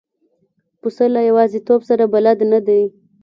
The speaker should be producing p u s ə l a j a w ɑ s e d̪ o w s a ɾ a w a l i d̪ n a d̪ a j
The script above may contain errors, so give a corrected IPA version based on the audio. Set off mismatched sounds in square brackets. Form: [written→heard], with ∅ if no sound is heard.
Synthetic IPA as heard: p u s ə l a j a w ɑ [s→z] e [d̪→t̪] o [w→b] s a ɾ a [w→b] a l [i→a] d̪ n a d̪ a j